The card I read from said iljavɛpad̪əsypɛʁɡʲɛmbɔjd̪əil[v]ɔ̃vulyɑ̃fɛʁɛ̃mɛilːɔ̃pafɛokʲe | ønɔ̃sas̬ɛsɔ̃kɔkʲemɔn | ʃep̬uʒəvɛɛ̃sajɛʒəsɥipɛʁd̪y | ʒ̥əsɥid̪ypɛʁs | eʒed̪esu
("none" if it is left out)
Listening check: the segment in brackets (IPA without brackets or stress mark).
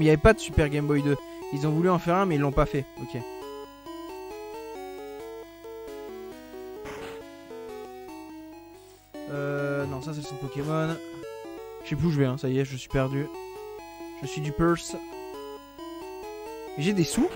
z